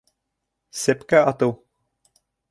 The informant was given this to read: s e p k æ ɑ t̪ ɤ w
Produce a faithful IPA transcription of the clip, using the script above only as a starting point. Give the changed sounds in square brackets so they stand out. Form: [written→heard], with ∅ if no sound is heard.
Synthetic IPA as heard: s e p k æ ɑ t̪ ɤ w